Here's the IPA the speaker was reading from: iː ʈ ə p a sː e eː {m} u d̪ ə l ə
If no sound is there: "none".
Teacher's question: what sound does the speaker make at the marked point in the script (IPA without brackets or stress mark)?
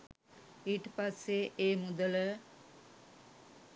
m